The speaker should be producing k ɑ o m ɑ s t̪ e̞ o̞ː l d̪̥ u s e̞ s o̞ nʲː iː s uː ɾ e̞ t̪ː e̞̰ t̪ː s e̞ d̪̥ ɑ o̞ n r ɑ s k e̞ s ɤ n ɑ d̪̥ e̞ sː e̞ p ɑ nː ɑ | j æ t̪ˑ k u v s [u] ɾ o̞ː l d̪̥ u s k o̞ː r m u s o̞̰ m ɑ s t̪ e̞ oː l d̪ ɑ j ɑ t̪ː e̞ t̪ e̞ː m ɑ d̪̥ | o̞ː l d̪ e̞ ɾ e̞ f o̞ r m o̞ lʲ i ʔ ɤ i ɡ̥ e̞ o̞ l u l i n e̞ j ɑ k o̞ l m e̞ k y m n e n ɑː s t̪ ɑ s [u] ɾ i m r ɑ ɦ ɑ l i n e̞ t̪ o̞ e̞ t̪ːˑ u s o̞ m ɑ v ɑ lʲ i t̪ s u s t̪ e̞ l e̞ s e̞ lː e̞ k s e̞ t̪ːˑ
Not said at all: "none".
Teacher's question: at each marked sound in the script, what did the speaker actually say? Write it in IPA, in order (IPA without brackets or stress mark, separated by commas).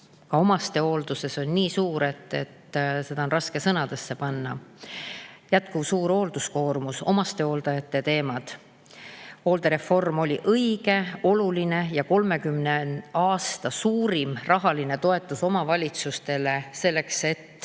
uː, uː